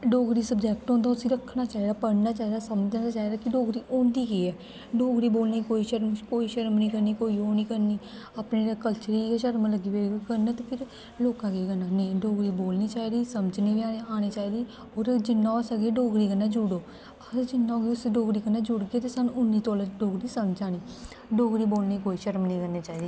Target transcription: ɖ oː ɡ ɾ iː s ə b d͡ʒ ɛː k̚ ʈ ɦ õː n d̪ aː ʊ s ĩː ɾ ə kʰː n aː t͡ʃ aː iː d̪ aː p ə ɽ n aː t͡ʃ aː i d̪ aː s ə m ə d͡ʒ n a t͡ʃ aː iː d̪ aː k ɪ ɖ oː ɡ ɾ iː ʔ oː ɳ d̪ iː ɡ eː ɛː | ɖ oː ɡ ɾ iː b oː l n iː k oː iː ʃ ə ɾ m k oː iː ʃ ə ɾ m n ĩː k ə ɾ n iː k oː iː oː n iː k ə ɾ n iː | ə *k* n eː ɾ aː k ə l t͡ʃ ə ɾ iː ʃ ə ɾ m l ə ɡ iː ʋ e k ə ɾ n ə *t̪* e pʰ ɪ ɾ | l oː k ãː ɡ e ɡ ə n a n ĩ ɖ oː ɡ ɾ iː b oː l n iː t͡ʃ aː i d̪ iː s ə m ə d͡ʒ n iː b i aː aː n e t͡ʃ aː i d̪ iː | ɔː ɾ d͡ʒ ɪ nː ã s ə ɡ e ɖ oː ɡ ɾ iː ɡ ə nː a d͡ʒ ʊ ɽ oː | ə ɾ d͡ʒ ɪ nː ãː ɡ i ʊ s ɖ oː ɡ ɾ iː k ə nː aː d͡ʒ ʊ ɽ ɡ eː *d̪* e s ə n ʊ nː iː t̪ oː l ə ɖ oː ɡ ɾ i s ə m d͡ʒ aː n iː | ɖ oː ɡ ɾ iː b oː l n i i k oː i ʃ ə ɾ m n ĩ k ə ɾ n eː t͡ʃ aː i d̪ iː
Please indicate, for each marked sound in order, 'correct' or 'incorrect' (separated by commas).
incorrect, correct, incorrect